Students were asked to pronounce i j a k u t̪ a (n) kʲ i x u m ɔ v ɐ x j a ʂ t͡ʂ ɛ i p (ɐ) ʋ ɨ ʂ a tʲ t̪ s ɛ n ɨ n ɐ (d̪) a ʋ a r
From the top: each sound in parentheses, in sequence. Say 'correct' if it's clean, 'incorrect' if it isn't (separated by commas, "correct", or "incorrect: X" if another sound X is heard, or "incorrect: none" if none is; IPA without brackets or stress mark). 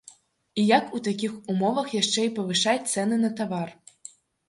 incorrect: none, correct, incorrect: t̪